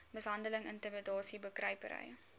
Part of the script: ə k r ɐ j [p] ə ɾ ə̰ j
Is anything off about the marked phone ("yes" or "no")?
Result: no